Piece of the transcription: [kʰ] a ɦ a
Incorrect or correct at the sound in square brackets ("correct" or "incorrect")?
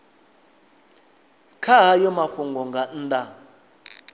correct